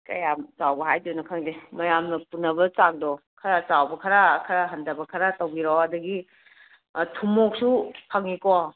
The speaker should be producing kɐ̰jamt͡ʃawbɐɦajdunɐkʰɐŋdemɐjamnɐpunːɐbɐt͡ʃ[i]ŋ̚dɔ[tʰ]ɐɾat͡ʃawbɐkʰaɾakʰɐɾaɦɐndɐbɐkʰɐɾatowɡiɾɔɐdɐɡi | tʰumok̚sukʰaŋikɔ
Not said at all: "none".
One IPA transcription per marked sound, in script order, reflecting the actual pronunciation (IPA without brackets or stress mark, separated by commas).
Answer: a, kʰ